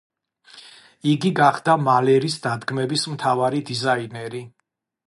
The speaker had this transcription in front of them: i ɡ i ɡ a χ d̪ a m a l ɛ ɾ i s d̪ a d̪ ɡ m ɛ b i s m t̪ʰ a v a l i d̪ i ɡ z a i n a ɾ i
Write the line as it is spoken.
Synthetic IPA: i ɡ i ɡ a χ d̪ a m a l ɛ ɾ i s d̪ a d̪ ɡ m ɛ b i s m t̪ʰ a v a ɾ i d̪ i z a i n ɛ ɾ i